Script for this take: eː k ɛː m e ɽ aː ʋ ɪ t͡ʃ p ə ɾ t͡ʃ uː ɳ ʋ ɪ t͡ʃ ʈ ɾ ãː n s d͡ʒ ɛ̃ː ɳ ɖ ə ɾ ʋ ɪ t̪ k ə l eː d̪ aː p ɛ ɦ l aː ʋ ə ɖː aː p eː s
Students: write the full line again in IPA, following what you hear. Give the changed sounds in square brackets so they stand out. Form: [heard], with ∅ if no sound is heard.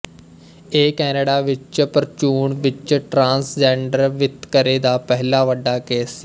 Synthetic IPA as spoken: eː k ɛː [n] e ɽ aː ʋ ɪ t͡ʃ p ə ɾ t͡ʃ uː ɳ ʋ ɪ t͡ʃ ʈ ɾ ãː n s d͡ʒ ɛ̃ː ɳ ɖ ə ɾ ʋ ɪ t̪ k ə [ɾ] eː d̪ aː p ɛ ɦ l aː ʋ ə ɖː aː [k] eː s